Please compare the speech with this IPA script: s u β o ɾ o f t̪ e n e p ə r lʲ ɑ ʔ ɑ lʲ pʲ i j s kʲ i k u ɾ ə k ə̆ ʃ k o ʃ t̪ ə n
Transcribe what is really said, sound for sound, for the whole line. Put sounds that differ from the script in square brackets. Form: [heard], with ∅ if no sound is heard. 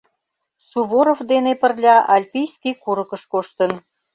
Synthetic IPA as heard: s u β o ɾ o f [d̪] e n e p ə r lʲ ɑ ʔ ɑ lʲ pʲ i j s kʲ i k u ɾ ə k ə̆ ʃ k o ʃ t̪ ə n